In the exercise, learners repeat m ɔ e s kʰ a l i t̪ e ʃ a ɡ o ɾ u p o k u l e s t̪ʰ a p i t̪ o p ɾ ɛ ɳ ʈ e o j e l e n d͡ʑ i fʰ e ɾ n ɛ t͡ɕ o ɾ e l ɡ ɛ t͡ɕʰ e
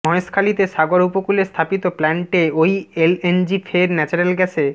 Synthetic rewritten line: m ɔ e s kʰ a l i t̪ e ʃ a ɡ o ɾ u p o k u l e s t̪ʰ a p i t̪ o p l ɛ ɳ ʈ e o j e l e n d͡ʑ i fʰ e ɾ n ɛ t͡ɕ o ɾ e l ɡ ɛ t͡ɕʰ e